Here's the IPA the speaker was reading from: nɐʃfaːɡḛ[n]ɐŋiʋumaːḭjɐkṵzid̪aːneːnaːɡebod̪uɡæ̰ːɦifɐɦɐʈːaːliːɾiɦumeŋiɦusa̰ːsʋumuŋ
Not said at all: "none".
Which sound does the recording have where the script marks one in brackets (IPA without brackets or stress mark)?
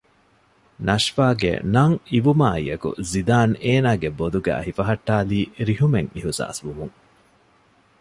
n